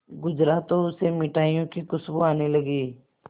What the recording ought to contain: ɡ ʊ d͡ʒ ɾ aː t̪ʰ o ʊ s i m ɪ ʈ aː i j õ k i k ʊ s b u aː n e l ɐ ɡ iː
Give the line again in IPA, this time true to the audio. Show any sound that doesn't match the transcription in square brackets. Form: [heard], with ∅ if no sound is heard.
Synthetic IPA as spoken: ɡ ʊ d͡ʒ ɾ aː [t̪] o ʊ s [e] m ɪ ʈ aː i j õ k i k ʊ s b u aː n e l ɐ ɡ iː

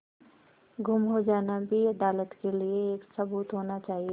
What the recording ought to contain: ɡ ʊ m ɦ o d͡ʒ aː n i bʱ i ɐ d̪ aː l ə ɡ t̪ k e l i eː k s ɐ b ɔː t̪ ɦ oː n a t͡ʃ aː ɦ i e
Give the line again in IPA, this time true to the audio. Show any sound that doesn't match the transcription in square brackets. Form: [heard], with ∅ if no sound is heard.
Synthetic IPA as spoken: ɡ ʊ m ɦ o d͡ʒ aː n [a] bʱ i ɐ d̪ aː l ə [∅] t̪ k e l i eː k s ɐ b [uː] t̪ ɦ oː n a t͡ʃ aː ɦ i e

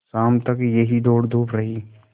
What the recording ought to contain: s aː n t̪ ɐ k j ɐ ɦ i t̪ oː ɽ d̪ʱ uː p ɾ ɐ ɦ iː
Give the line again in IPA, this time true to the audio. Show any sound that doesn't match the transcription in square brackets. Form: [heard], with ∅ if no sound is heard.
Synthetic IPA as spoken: s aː [m] t̪ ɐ k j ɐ ɦ i [d̪] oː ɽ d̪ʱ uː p ɾ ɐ ɦ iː

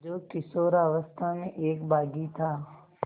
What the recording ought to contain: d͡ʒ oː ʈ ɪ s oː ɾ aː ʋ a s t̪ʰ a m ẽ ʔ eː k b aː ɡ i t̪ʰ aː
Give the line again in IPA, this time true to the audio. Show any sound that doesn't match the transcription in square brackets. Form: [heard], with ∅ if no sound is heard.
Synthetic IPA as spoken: d͡ʒ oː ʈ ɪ s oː ɾ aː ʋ [ə] s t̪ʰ a m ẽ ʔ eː k b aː ɡ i t̪ʰ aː

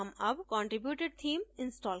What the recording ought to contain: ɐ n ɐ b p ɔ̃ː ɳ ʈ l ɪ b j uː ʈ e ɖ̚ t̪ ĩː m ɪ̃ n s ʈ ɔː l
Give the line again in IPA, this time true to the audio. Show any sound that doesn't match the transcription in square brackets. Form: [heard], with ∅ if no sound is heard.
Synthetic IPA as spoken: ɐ [m] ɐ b [k] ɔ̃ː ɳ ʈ [ɾ] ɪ b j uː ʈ e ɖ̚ [t̪ʰ] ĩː m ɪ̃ n s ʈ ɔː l

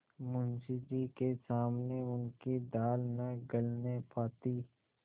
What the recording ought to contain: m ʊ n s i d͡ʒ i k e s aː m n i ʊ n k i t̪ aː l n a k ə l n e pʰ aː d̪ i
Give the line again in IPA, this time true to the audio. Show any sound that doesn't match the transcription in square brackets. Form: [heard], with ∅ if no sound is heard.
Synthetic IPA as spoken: m ʊ n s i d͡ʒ i k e s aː m n [e] ʊ n k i [d̪] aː l n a [ɡ] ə l n e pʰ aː [t̪] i

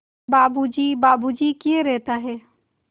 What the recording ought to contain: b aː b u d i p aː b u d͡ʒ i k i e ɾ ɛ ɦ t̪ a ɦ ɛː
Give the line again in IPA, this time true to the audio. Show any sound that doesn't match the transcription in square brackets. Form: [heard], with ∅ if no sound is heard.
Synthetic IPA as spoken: b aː b u [d͡ʒ] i [b] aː b u d͡ʒ i k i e ɾ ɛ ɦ t̪ a ɦ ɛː

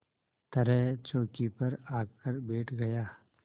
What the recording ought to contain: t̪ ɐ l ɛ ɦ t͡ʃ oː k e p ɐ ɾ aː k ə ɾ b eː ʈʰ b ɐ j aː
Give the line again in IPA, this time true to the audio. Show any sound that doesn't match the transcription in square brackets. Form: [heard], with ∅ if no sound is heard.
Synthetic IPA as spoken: t̪ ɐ [ɾ] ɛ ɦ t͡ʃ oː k [i] p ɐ ɾ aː k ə ɾ b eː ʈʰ [ɡ] ɐ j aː

